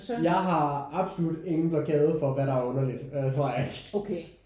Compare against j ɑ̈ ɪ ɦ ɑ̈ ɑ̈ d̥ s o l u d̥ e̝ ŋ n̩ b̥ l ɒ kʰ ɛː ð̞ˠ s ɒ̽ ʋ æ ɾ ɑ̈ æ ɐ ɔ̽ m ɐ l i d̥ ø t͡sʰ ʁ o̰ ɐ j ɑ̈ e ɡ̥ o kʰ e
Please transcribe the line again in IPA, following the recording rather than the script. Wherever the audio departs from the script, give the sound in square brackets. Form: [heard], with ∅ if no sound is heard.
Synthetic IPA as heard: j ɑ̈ ɪ ɦ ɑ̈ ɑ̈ [b̥] s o l u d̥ e̝ ŋ n̩ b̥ l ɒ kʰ ɛː ð̞ˠ [f] ɒ̽ ʋ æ ɾ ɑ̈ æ ɐ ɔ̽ [n] ɐ l i d̥ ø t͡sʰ ʁ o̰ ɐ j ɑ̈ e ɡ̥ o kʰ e

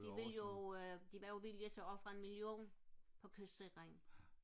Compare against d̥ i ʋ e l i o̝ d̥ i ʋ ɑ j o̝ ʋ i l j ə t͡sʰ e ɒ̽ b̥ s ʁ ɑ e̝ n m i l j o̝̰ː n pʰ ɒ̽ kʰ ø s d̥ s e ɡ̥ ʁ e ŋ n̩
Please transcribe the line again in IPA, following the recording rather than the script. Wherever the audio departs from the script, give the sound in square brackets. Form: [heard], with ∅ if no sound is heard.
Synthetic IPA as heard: d̥ i ʋ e l [j] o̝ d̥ i ʋ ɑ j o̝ ʋ i l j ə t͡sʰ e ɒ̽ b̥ [f] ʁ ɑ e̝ n m i l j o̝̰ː n pʰ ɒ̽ kʰ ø s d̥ s e ɡ̥ ʁ e ŋ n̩

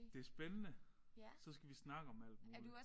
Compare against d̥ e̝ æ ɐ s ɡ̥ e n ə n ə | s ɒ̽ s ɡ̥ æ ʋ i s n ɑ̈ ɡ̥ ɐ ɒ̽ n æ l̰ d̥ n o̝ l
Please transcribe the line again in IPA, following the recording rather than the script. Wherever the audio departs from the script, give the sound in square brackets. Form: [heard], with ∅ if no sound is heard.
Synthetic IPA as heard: d̥ e̝ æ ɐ s [b̥] e n ə n ə | s ɒ̽ s ɡ̥ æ ʋ i s n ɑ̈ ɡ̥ [ə] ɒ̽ [m] æ l̰ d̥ [m] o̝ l

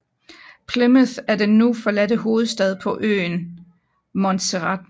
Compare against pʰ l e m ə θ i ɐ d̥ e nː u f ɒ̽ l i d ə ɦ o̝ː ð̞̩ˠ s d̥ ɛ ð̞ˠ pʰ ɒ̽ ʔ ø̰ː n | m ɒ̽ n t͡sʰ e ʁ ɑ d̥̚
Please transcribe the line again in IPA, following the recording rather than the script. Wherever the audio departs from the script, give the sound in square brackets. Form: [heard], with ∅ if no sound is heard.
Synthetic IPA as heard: pʰ l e m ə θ [æ] ɐ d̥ e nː u f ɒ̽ l [æ] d ə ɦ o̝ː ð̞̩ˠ s d̥ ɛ ð̞ˠ pʰ ɒ̽ ʔ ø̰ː n | m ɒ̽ n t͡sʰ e ʁ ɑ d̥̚

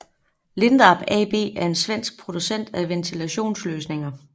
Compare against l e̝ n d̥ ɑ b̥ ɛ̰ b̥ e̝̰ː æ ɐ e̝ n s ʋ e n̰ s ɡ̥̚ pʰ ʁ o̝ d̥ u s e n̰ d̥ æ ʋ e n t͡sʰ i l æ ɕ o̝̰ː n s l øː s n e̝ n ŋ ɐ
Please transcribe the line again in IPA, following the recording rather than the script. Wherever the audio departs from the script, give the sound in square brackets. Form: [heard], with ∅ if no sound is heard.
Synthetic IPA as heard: l e̝ n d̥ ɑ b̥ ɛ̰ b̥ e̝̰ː æ ɐ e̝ n s ʋ e n̰ s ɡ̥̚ pʰ ʁ o̝ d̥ u s e n̰ d̥ æ ʋ e n t͡sʰ i l æ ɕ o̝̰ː n s l øː s n e̝ [∅] ŋ ɐ

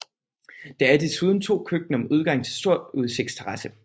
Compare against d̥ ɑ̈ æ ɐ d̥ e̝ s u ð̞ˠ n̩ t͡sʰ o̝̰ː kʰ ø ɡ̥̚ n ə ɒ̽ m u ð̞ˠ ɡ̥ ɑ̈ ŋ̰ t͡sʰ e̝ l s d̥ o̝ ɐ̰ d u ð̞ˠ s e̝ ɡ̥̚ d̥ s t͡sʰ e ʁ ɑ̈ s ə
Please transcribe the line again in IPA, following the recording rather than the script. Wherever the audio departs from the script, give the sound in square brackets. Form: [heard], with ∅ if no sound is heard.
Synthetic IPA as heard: d̥ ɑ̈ æ ɐ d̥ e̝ s u ð̞ˠ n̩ t͡sʰ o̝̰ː kʰ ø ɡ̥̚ n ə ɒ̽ m u ð̞ˠ ɡ̥ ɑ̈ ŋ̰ t͡sʰ e̝ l s d̥ o̝ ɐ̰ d u ð̞ˠ s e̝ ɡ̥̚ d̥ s t͡sʰ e ʁ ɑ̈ s ə

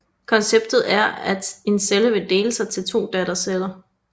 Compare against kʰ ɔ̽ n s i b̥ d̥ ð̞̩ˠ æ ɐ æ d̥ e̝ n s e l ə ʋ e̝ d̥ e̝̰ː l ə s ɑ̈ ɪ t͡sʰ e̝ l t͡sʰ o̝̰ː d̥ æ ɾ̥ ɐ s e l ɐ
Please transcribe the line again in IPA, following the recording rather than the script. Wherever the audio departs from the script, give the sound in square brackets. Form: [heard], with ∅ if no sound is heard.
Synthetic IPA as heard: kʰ [ɒ̽] n s [e] b̥ d̥ ð̞̩ˠ æ ɐ æ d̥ e̝ n s e l ə ʋ e̝ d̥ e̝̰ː l ə s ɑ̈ ɪ t͡sʰ e̝ l t͡sʰ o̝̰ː d̥ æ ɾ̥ ɐ s e l ɐ

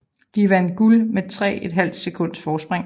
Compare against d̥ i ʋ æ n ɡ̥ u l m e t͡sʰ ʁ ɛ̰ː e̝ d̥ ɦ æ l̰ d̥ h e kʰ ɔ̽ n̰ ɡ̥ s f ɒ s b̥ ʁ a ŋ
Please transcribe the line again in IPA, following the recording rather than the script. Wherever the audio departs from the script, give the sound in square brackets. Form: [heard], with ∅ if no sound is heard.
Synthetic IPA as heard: d̥ i ʋ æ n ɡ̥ u l m e t͡sʰ ʁ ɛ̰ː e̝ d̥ ɦ æ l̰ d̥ [s] e kʰ ɔ̽ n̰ [d̥] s f [ɒː] s b̥ ʁ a ŋ

